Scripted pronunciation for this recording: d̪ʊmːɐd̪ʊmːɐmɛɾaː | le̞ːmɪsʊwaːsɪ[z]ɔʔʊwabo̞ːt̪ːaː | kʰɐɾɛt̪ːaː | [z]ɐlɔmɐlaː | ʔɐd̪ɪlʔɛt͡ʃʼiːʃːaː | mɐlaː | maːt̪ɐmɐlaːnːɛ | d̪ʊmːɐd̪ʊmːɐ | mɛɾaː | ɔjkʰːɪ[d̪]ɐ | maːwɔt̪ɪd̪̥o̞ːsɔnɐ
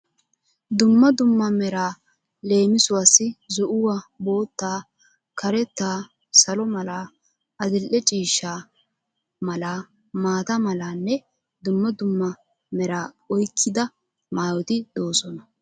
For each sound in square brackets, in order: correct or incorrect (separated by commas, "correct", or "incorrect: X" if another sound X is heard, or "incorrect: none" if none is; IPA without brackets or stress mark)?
correct, incorrect: s, correct